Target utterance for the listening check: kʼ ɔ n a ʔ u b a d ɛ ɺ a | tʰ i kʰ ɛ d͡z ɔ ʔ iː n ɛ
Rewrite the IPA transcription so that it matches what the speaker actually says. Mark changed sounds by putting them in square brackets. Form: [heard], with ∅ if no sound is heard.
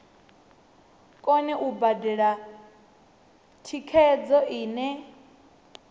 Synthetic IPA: kʼ ɔ n [ɛ] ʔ u b a d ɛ ɺ a | tʰ i kʰ ɛ d͡z ɔ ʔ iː n ɛ